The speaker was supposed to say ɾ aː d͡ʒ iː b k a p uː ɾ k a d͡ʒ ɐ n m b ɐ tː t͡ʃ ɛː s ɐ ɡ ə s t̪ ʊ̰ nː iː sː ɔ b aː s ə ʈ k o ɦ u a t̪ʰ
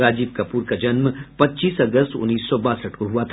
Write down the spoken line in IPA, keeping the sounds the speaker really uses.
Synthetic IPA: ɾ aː d͡ʒ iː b k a p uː ɾ k a d͡ʒ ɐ n m p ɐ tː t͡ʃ iː s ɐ ɡ ə s t̪ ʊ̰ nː iː sː ɔ b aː s ə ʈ k o ɦ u a t̪ʰ